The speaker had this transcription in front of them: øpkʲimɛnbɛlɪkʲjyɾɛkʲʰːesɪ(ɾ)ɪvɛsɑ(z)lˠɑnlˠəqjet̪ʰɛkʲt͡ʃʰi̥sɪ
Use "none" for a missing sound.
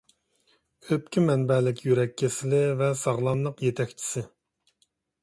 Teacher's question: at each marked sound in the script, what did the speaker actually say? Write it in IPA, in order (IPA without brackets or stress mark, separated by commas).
l, ʁ